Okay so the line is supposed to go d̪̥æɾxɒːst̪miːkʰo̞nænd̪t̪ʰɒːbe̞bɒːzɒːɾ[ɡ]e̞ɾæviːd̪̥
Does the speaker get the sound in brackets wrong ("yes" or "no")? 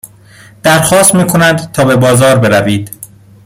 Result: yes